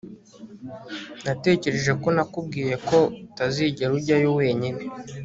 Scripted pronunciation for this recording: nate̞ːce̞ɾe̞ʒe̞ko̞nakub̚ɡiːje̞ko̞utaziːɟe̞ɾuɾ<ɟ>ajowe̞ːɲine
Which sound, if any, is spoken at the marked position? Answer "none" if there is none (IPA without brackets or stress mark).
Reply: ɟ